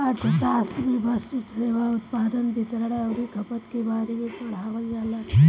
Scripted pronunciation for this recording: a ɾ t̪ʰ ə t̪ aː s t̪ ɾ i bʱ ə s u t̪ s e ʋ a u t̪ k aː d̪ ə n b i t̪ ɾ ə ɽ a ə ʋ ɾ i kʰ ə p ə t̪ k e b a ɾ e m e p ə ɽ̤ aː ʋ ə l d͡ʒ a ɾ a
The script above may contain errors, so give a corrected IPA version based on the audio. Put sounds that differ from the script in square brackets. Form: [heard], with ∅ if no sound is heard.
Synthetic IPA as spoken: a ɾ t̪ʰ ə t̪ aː s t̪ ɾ i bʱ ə s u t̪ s e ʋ a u t̪ [p] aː d̪ ə n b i t̪ ɾ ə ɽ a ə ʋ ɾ i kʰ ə p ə t̪ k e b a ɾ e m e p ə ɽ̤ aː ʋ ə l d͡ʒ a [l] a